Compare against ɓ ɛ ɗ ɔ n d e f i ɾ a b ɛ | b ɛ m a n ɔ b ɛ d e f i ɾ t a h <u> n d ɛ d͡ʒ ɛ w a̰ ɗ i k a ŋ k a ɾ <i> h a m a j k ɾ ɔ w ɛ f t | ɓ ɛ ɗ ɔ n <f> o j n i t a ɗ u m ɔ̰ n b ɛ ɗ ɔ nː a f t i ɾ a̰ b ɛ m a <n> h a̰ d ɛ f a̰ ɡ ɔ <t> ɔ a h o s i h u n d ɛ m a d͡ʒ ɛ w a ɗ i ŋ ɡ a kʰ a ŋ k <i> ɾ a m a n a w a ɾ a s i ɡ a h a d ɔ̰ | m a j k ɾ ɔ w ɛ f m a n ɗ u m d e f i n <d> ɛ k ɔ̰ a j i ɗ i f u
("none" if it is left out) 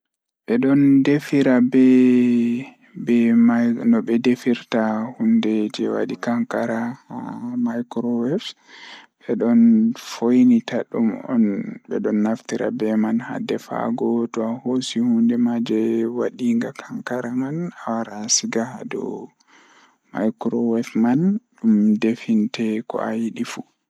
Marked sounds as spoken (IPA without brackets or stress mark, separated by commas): u, a, f, n, t, a, t